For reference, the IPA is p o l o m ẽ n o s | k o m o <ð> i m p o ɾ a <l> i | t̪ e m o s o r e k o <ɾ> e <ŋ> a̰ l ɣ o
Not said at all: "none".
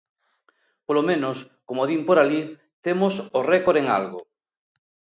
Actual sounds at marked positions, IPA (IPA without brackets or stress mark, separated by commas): ð, l, ɾ, ŋ